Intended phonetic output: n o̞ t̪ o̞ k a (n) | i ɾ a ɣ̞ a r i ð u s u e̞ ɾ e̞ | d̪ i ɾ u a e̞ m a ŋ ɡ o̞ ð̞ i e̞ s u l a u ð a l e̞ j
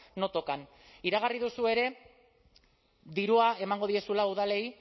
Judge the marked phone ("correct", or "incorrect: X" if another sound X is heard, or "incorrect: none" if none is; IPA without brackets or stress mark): correct